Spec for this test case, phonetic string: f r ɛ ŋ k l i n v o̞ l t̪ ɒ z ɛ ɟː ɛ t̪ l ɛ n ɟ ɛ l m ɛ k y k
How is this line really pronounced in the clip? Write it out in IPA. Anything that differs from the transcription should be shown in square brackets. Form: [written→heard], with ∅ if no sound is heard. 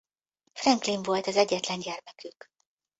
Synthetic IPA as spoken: f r ɛ ŋ k l i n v o̞ l t̪ ɒ z ɛ ɟː ɛ t̪ l ɛ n ɟ ɛ [l→r] m ɛ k y k